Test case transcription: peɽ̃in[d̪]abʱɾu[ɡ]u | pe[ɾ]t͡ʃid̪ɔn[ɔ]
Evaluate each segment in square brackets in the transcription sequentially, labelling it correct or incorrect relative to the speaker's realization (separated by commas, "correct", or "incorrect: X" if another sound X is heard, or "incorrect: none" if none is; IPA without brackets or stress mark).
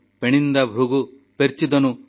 correct, correct, correct, incorrect: u